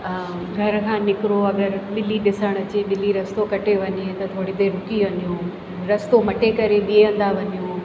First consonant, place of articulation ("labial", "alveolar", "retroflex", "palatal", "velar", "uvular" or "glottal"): velar